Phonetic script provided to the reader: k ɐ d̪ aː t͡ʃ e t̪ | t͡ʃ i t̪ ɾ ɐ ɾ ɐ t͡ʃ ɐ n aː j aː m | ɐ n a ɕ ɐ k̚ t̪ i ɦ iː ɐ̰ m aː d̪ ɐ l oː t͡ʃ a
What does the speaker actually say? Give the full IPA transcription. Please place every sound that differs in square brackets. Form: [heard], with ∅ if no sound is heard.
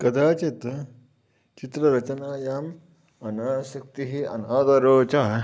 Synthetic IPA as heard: k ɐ d̪ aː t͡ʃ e t̪ | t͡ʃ i t̪ ɾ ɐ ɾ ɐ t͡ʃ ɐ n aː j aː m | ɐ n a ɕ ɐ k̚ t̪ i ɦ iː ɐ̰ [n] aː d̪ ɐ [ɾ] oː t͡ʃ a